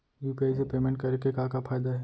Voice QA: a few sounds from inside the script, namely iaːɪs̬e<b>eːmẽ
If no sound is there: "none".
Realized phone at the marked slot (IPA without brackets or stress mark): p